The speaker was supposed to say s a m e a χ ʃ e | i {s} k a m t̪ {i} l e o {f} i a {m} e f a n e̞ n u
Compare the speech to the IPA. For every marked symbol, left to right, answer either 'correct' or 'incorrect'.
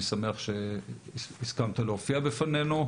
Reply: correct, incorrect: a, correct, incorrect: b

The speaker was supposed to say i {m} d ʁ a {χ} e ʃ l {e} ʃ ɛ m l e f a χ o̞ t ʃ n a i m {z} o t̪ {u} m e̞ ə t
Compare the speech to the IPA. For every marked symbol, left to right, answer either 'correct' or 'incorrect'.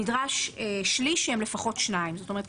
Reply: incorrect: none, incorrect: ʃ, incorrect: i, correct, incorrect: o

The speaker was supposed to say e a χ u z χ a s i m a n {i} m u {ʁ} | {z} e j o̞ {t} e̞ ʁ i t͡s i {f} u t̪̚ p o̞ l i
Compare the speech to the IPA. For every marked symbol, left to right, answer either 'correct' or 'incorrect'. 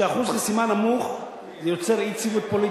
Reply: incorrect: a, incorrect: χ, correct, incorrect: t͡s, incorrect: v

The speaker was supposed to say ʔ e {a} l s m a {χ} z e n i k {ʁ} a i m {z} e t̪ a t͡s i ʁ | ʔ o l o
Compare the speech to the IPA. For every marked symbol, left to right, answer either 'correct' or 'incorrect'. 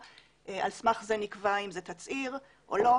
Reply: correct, correct, incorrect: v, correct

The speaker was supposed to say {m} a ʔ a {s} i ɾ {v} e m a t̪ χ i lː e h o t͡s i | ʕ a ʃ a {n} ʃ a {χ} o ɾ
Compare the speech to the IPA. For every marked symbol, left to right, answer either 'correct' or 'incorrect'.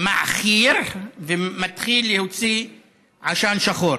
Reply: correct, incorrect: χ, correct, correct, correct

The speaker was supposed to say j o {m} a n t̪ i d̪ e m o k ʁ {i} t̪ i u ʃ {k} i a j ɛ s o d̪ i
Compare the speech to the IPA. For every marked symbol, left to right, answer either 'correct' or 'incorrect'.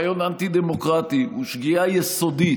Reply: incorrect: n, incorrect: a, incorrect: ɡ

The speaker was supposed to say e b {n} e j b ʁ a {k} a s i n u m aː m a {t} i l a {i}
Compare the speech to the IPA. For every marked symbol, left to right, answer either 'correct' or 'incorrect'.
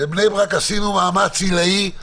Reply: correct, correct, incorrect: t͡s, correct

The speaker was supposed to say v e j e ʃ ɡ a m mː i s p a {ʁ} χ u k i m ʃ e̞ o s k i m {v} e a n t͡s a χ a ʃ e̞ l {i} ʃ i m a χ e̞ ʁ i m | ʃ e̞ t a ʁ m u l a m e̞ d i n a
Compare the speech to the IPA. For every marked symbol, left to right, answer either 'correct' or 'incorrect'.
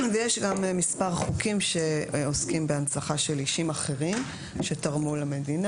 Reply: correct, incorrect: b, correct

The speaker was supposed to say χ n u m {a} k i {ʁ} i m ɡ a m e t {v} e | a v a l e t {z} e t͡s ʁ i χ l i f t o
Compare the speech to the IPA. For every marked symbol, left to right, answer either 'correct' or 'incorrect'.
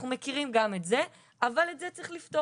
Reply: incorrect: e, correct, incorrect: z, correct

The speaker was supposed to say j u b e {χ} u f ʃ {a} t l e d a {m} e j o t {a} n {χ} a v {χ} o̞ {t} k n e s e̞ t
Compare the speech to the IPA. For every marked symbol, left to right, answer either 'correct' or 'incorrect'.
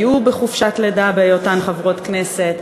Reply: correct, correct, incorrect: b, correct, correct, incorrect: ʁ, correct

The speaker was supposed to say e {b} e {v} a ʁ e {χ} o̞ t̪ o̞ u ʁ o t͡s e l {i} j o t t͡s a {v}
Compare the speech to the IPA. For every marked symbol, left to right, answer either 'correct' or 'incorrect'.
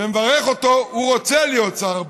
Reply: incorrect: m, correct, correct, correct, incorrect: ʁ

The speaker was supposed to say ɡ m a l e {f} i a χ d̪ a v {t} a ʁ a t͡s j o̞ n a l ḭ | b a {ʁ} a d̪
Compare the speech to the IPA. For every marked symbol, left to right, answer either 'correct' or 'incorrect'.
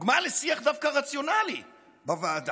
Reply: incorrect: s, incorrect: k, incorrect: v

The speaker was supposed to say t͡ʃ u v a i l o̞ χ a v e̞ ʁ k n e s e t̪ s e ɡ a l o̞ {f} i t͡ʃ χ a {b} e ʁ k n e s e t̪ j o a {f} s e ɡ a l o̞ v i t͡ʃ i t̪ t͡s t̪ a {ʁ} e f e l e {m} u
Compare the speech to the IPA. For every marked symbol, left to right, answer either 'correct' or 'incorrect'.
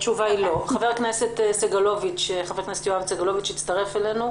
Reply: incorrect: v, incorrect: v, incorrect: v, correct, incorrect: n

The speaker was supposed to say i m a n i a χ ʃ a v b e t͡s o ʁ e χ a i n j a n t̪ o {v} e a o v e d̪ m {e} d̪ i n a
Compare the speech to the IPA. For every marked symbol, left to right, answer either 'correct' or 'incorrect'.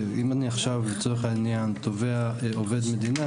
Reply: correct, correct

